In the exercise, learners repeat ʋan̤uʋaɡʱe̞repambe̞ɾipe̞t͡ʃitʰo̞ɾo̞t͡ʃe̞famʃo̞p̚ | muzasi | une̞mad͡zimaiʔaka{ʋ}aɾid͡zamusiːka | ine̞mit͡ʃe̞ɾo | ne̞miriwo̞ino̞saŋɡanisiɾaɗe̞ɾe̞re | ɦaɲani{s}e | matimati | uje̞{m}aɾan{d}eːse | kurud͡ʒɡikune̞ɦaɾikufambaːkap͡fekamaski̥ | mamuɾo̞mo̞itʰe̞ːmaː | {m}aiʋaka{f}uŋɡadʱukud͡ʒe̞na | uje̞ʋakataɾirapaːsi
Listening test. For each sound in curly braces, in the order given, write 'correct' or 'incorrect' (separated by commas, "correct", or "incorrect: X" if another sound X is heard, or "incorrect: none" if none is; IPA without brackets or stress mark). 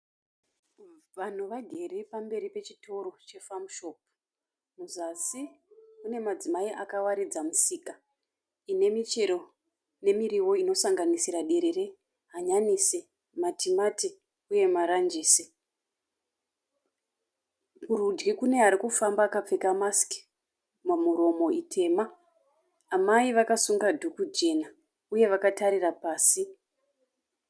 incorrect: w, correct, correct, incorrect: d͡ʒ, correct, incorrect: s